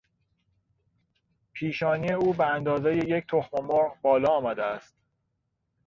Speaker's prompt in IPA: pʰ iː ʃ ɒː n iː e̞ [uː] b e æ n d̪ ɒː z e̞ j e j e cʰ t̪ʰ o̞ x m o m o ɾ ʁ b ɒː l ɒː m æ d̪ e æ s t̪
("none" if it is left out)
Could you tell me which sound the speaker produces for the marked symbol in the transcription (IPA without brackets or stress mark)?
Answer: uː